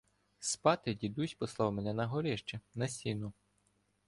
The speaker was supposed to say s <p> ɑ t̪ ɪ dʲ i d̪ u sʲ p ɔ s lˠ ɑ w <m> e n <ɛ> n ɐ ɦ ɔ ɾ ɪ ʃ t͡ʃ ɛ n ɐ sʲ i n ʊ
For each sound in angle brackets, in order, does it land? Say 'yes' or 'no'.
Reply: yes, yes, yes

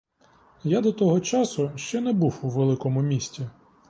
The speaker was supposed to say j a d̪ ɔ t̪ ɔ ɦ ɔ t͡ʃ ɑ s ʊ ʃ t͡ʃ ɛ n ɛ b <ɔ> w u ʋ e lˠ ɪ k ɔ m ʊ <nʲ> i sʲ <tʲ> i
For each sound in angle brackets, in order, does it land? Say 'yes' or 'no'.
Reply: no, no, yes

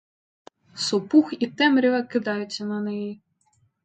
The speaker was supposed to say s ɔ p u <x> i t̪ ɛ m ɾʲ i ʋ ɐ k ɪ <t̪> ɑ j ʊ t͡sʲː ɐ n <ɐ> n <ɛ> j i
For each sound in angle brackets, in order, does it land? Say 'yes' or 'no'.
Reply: yes, no, yes, yes

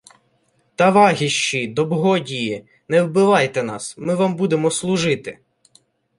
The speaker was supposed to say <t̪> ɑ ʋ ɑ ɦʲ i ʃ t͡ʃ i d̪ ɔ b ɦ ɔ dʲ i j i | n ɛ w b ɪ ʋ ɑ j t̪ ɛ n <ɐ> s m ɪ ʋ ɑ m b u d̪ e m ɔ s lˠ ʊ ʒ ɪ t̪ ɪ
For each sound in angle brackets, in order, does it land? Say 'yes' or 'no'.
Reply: yes, no

